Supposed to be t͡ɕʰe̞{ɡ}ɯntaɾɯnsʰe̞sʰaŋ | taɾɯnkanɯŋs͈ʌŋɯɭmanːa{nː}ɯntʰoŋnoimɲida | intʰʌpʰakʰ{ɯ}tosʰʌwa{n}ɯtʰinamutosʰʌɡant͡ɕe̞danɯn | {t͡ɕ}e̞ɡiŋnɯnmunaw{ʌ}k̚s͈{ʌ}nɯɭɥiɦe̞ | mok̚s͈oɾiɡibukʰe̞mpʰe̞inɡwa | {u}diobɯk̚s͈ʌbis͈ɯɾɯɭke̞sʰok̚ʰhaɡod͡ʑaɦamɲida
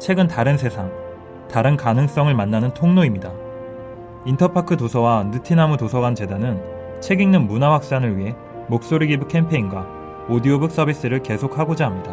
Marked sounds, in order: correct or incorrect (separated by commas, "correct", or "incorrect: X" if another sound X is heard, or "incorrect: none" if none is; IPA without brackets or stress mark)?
correct, incorrect: n, correct, correct, incorrect: t͡ɕʰ, incorrect: a, incorrect: a, incorrect: o